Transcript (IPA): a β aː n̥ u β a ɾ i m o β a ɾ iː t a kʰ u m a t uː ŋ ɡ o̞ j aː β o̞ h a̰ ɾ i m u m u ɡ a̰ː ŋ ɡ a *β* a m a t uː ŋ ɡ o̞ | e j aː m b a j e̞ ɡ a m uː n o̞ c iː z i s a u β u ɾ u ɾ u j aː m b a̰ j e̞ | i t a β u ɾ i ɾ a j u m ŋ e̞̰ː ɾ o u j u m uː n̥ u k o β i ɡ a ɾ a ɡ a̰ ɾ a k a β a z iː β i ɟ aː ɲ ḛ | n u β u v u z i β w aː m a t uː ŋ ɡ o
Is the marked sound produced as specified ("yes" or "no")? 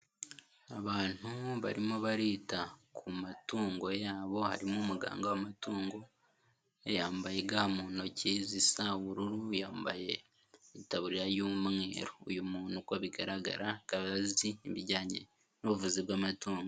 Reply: no